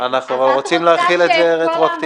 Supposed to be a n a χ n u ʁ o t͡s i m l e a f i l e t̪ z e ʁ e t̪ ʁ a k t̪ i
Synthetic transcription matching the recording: a n a χ n u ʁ o t͡s i m l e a χ i l e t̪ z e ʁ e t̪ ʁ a k t̪ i